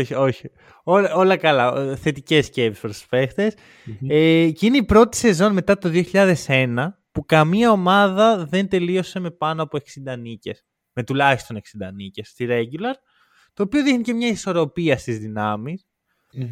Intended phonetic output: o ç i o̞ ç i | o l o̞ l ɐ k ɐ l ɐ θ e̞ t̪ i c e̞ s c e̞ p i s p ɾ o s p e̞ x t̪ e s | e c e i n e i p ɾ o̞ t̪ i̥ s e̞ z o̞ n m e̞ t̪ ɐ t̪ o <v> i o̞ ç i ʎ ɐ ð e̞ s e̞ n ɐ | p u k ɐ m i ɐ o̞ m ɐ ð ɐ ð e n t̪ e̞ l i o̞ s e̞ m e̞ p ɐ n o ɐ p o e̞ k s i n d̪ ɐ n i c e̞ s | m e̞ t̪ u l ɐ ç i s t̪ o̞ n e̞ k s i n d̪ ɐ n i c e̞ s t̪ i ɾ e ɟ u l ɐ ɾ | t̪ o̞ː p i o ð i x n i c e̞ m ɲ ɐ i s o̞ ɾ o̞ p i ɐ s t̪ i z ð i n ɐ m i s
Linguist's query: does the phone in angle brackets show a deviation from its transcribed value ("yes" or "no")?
yes